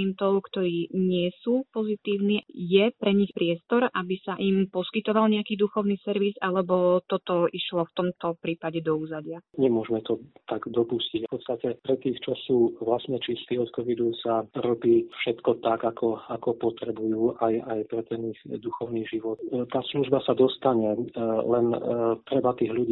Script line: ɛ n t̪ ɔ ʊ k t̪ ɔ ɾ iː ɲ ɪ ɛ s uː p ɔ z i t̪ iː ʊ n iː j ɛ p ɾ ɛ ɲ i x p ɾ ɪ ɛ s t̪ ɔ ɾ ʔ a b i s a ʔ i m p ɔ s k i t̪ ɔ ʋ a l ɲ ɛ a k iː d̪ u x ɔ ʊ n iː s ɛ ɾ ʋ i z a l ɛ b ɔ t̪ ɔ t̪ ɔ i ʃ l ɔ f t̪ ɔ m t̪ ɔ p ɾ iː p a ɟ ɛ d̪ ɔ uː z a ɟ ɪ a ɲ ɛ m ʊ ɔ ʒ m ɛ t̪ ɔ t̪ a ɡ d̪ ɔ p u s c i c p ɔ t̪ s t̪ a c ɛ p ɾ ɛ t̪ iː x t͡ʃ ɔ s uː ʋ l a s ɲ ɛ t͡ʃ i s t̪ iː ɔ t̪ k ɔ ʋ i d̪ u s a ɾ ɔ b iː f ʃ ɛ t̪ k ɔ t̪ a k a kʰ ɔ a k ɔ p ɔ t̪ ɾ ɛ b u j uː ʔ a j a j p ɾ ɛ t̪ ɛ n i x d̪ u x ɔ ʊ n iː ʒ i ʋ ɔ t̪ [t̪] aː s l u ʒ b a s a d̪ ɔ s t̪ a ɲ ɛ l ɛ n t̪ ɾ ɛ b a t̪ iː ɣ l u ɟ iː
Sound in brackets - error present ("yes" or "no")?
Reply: no